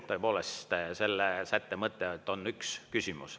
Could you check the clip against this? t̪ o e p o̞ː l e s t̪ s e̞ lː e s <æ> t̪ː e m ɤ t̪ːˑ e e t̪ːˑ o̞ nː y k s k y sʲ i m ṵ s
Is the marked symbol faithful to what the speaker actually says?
yes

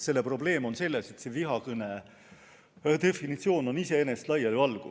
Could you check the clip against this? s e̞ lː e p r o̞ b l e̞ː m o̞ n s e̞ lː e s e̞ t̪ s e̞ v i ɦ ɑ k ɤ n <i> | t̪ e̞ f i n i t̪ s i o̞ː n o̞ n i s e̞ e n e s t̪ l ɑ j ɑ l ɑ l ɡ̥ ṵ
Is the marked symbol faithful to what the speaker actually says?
no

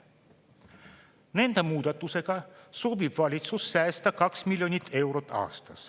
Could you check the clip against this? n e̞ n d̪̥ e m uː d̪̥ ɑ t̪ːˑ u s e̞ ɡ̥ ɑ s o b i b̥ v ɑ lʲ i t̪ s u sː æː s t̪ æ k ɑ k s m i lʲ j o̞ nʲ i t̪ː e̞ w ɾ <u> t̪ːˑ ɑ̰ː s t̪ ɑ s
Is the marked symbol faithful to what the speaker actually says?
no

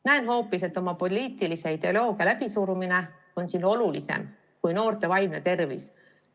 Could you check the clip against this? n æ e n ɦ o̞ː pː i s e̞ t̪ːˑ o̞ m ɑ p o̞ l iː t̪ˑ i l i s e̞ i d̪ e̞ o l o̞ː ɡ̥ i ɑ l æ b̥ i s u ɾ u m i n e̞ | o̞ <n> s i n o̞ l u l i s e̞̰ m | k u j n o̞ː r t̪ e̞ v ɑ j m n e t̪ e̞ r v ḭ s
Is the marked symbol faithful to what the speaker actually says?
yes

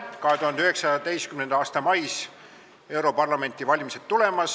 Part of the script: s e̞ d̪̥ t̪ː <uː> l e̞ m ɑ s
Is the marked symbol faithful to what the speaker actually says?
no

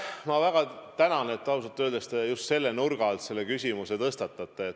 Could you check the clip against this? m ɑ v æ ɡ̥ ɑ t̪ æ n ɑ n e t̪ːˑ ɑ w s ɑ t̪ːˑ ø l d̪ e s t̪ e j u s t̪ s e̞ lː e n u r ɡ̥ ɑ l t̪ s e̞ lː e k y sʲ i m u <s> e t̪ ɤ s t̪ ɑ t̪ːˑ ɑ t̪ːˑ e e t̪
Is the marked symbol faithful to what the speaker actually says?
yes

